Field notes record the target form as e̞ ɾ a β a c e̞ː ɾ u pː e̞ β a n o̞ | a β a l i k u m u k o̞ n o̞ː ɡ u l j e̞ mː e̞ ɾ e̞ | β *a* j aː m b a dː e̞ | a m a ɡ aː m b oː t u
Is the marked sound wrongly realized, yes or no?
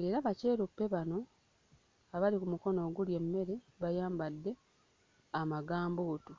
no